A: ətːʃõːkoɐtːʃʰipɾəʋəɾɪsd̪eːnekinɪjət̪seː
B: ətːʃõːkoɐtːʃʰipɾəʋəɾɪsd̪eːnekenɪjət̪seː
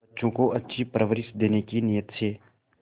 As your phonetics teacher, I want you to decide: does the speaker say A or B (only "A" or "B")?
A